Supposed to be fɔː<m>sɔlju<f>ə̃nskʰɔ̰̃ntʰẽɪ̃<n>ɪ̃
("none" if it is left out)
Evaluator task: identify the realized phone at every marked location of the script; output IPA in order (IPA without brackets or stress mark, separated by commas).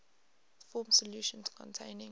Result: m, ʃ, n